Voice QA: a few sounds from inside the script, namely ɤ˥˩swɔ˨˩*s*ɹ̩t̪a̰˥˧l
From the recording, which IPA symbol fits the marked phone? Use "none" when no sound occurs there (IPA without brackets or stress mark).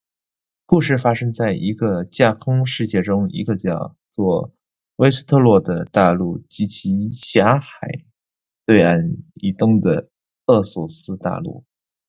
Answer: s